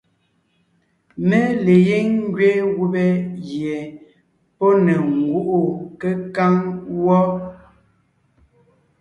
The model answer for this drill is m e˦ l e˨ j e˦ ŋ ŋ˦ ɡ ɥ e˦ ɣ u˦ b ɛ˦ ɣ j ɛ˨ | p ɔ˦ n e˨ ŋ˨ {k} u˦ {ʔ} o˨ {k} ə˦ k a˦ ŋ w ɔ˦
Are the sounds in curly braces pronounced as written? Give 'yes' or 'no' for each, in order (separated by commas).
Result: no, yes, yes